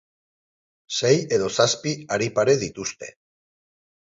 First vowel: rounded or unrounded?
unrounded